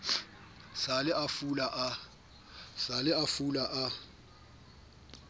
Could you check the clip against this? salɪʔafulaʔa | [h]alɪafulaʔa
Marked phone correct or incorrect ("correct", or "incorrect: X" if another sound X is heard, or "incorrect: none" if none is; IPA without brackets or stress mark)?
incorrect: s